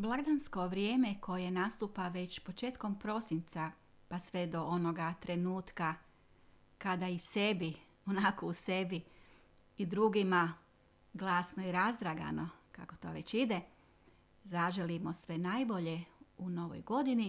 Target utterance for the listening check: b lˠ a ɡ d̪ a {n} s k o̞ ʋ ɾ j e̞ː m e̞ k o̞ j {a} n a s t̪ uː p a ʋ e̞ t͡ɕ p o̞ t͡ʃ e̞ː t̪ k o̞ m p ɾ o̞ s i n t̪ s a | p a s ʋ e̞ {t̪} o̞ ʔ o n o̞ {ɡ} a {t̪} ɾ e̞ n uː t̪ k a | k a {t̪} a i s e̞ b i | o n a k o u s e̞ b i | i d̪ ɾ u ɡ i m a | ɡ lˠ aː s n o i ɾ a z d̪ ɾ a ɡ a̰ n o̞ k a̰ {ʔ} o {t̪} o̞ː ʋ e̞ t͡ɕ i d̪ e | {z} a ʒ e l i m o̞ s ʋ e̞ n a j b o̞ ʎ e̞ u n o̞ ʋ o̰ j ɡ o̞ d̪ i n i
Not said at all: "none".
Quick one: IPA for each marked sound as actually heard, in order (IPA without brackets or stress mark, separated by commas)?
n, e, d̪, ɡ, t̪, d̪, k, t̪, z